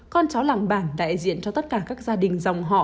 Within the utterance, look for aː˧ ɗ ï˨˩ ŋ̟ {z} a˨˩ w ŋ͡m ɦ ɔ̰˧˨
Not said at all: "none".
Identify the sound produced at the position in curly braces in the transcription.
z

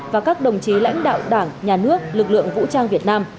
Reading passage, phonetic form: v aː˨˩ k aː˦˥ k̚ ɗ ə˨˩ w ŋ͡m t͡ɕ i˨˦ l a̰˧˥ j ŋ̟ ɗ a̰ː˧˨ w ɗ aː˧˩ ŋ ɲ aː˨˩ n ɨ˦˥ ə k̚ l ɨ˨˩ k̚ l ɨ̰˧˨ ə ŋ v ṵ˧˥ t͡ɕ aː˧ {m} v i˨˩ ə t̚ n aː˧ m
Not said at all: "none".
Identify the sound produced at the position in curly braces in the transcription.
ŋ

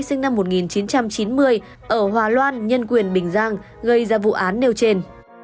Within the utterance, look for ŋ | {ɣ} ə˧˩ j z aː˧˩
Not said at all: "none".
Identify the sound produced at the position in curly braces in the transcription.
ɣ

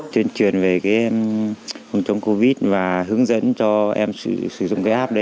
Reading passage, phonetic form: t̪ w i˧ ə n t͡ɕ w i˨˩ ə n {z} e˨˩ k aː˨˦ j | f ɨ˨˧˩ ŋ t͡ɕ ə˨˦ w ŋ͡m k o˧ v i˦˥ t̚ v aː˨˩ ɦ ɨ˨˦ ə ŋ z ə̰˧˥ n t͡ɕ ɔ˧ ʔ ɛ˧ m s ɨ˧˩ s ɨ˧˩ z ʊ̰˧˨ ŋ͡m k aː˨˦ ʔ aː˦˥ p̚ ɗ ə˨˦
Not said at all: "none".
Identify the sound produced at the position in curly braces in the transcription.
v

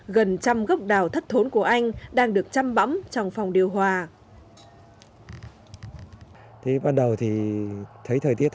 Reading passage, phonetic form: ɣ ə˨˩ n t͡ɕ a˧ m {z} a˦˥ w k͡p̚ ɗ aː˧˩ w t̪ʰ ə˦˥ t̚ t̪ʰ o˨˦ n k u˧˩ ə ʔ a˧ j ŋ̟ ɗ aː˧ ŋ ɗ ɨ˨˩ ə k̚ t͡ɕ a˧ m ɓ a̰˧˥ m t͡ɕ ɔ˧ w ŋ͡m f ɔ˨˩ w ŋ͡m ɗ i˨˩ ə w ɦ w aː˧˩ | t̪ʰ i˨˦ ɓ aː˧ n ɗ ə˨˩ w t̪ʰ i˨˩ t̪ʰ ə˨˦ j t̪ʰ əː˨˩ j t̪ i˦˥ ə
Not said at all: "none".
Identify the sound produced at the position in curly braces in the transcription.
ɣ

